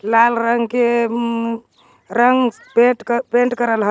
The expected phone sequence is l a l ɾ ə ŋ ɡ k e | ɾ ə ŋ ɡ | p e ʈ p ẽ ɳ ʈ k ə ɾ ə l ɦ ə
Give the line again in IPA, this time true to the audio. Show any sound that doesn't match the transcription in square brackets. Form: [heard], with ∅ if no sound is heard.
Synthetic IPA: l a l ɾ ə ŋ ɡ k e | ɾ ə ŋ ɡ | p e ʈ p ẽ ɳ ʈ k ə ɾ ə l ɦ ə